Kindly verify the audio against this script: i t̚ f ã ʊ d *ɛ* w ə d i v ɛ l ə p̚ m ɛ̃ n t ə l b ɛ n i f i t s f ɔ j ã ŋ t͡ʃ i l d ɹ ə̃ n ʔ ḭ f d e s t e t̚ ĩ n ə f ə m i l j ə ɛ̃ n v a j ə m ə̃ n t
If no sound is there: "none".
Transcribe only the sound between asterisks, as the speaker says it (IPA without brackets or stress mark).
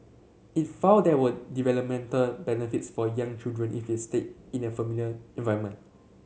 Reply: ɛ